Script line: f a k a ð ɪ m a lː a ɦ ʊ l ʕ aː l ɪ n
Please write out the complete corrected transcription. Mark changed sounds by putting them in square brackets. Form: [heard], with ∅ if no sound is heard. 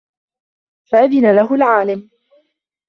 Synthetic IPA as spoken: f a [ʔ] a ð ɪ [n] a [l] a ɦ ʊ l ʕ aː l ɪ [m]